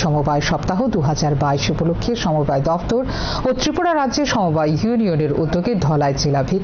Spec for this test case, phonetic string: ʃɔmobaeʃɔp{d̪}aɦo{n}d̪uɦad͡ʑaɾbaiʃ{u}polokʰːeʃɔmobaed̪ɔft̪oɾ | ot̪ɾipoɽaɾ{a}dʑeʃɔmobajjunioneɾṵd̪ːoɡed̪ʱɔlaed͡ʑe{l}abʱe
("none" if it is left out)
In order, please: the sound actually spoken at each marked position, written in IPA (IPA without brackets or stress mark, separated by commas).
t̪, none, u, a, l